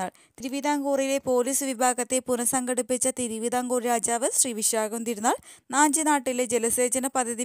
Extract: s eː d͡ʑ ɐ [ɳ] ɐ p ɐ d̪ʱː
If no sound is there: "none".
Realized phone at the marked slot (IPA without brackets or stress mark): n